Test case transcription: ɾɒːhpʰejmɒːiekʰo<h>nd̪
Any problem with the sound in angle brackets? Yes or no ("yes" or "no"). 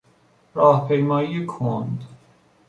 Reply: yes